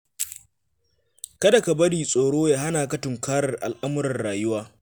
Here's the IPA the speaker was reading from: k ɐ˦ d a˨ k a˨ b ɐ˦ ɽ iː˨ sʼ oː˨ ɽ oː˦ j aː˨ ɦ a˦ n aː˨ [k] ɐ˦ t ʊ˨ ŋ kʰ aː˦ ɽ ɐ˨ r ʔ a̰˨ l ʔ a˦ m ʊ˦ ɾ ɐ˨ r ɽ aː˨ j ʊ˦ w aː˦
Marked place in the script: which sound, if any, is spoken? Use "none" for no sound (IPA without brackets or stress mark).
k